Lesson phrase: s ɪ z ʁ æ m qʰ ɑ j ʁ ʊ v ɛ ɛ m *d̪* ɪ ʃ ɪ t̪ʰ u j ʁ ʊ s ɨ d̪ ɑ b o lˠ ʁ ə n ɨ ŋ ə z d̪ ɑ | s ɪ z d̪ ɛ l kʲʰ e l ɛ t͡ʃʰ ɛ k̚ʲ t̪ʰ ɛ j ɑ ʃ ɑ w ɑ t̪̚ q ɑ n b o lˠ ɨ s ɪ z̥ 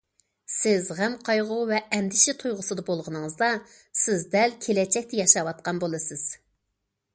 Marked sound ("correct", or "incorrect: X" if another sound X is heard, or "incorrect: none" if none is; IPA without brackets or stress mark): correct